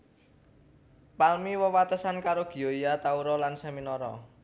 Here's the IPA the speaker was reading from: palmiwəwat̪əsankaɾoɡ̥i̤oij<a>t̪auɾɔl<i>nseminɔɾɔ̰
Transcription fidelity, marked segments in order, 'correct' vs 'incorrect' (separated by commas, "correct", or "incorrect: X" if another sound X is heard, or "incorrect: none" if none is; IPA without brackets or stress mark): correct, incorrect: a